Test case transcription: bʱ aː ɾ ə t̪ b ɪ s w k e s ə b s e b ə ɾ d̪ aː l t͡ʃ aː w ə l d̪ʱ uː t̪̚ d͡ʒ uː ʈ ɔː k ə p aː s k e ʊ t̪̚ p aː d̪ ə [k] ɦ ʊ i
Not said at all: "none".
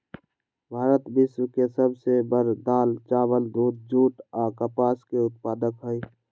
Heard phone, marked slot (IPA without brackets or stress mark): k